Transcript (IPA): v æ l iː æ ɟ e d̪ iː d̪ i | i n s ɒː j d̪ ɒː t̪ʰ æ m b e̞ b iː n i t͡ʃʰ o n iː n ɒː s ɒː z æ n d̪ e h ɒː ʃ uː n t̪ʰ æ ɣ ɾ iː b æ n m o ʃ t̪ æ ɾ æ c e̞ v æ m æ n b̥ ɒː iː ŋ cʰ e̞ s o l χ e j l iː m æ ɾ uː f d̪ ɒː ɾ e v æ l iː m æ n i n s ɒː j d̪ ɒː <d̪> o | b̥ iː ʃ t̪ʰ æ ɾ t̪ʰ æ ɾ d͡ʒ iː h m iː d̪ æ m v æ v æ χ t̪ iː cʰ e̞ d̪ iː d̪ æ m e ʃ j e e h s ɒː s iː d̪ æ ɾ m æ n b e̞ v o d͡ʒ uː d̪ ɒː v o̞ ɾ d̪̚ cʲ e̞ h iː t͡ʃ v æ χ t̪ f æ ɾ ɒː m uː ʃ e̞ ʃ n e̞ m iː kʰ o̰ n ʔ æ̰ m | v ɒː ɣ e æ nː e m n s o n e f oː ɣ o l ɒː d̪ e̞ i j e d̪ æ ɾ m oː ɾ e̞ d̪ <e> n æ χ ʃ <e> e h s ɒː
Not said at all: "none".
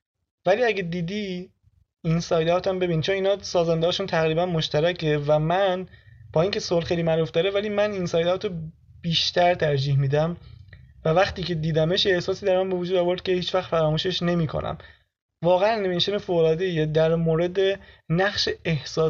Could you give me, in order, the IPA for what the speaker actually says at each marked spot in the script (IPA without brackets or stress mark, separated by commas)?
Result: t̪, e, e